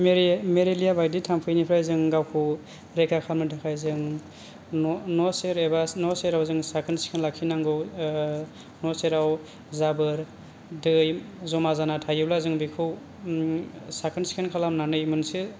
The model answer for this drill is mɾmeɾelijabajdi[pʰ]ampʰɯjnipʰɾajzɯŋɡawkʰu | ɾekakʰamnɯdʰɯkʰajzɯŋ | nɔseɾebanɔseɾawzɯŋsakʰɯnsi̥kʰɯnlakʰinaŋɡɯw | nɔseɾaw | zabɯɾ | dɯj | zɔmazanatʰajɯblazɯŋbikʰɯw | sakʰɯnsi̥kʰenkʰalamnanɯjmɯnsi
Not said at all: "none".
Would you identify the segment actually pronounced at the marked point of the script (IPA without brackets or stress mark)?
tʰ